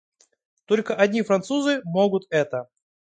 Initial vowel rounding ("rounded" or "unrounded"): rounded